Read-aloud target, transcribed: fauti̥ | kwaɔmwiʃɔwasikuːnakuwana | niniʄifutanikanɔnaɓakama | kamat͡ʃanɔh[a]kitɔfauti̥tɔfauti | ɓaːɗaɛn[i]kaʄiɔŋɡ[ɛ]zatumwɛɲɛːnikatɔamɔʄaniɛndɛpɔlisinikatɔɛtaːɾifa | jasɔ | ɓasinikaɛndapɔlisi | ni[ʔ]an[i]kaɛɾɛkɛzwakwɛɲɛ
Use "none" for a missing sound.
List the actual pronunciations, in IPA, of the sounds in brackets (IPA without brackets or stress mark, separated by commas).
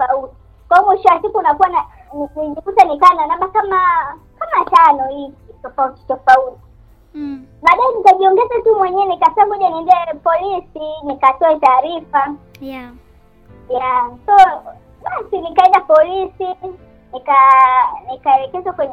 i, i, ɛ, k, i